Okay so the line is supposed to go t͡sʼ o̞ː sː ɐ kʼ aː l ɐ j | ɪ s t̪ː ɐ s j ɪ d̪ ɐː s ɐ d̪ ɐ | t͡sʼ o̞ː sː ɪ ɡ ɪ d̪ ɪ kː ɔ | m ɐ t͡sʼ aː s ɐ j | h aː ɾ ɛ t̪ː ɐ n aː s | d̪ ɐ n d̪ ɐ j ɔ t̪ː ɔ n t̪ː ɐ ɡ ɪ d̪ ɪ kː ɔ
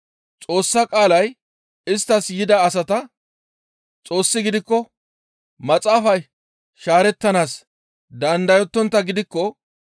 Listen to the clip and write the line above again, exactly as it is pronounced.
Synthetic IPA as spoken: t͡sʼ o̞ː sː ɐ kʼ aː l ɐ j | ɪ s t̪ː ɐ s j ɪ d̪ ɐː s ɐ t̪ ɐ | t͡sʼ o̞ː sː ɪ ɡ ɪ d̪ ɪ kː ɔ | m ɐ t͡sʼ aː f ɐ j | ʃ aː ɾ ɛ t̪ː ɐ n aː s | d̪ ɐ n d̪ ɐ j ɔ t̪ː ɔ n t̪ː ɐ ɡ ɪ d̪ ɪ kː ɔ